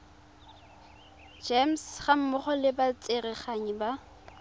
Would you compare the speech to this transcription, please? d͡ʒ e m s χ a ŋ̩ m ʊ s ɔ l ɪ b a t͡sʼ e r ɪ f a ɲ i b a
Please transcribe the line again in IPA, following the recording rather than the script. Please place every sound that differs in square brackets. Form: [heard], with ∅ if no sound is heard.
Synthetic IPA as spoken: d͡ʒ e m s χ a [m̩] m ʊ [χ] ɔ l ɪ b a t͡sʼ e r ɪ [χ] a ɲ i b a